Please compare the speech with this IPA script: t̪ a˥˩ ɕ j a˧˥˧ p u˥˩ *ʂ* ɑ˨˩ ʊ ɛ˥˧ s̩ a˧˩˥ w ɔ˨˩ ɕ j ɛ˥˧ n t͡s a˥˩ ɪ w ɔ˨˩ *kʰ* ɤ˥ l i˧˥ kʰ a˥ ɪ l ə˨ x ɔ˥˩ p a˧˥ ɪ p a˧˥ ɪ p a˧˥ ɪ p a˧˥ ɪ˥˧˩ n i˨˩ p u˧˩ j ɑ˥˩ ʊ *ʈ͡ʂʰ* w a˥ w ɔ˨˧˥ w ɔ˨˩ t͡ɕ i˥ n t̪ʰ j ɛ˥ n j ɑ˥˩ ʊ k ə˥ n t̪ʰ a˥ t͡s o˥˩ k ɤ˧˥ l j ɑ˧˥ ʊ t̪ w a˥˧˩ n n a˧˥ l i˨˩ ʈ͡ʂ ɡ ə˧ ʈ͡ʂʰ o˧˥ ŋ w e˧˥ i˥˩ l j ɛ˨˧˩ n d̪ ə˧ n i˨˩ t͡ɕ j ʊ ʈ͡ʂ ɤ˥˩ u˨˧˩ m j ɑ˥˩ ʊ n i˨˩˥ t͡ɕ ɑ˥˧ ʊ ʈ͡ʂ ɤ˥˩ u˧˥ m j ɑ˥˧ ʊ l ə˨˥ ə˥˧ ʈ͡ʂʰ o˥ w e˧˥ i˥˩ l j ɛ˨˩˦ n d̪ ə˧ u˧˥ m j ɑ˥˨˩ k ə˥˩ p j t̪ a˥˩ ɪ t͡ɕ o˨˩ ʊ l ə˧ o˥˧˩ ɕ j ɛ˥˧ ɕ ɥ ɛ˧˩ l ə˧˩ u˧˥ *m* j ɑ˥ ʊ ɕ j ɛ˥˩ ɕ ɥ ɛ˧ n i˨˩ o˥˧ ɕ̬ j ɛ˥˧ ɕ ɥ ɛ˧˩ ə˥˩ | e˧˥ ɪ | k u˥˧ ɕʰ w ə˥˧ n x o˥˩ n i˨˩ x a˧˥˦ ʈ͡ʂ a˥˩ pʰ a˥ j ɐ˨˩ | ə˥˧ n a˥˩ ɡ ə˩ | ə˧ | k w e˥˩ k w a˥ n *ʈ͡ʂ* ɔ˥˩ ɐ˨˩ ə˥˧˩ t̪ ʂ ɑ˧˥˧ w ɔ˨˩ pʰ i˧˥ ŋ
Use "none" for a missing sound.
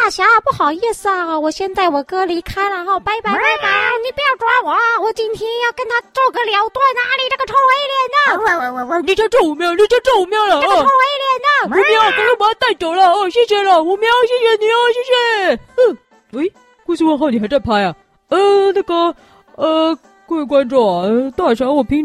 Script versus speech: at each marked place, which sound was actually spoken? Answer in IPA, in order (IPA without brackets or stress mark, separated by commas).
x, k, ʈ͡ʂ, m, ʈ͡ʂ